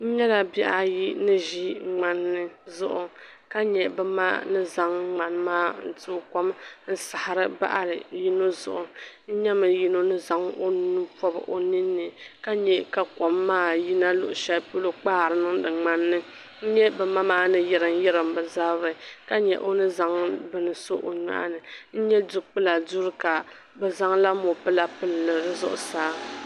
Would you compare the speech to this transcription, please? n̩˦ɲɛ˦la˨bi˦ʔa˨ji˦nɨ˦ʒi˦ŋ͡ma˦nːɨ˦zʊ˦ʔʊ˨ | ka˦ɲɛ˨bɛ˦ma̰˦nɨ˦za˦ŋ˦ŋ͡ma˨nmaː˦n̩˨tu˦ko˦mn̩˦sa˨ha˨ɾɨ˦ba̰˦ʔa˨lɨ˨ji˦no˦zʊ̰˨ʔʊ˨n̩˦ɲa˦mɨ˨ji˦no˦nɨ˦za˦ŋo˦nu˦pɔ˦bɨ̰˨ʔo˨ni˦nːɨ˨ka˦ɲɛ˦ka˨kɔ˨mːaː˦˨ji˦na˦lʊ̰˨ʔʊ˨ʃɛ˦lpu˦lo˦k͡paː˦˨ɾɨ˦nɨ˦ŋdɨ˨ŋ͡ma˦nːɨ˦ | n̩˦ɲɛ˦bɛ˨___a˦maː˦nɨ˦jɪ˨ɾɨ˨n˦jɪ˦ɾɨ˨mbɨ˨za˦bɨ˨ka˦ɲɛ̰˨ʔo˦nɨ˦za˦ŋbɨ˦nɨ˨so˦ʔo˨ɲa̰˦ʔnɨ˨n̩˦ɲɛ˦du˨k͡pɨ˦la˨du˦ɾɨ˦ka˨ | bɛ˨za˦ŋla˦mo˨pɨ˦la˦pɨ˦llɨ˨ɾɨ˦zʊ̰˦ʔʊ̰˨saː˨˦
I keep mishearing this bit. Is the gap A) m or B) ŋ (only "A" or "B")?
A